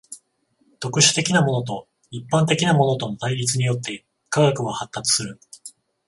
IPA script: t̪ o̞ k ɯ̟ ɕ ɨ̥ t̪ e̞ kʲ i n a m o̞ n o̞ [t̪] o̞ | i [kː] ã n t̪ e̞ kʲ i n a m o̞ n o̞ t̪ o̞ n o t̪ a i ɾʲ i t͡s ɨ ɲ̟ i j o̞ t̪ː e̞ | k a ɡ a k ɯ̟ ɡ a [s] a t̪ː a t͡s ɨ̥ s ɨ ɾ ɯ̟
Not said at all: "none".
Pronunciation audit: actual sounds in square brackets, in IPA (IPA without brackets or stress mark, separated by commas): t̪, pː, h